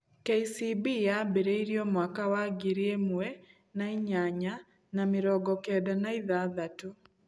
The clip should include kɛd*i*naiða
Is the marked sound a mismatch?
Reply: yes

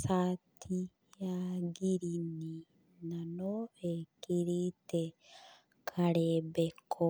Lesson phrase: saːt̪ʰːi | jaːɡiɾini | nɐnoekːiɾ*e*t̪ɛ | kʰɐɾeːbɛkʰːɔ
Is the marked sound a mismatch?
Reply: yes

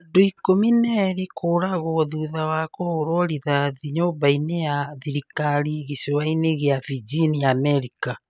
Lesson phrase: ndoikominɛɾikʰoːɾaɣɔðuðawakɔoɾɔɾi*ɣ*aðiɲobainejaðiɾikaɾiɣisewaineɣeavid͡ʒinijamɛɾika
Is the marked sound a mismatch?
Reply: yes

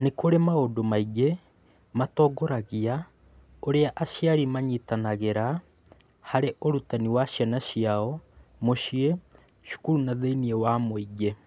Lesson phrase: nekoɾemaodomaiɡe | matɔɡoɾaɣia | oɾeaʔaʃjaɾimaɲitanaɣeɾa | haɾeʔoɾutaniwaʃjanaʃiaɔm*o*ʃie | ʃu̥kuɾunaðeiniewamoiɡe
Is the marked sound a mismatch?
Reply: no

